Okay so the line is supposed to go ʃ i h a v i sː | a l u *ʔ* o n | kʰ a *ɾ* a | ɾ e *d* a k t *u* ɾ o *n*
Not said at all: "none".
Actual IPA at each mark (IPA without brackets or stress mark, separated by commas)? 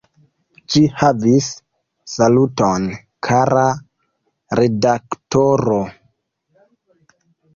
t, ɾ, d, o, none